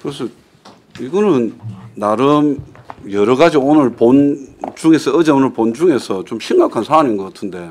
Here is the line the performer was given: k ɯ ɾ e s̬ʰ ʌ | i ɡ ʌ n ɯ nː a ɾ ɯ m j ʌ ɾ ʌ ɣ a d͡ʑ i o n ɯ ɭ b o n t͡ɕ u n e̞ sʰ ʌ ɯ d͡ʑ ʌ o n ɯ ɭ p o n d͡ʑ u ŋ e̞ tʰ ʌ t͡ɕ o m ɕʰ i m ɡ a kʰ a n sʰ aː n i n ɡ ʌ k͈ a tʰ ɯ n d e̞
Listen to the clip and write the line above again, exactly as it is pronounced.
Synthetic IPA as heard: k ɯ ɾ e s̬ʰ ʌ | i ɡ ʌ n ɯ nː a ɾ ɯ m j ʌ ɾ ʌ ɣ a d͡ʑ i o n ɯ ɭ p o n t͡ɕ u ŋ e̞ sʰ ʌ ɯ d͡ʑ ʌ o n ɯ ɭ p o n d͡ʑ u ŋ e̞ sʰ ʌ t͡ɕ o m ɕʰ i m ɡ a kʰ a n sʰ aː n i n ɡ ʌ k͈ a tʰ ɯ n d e̞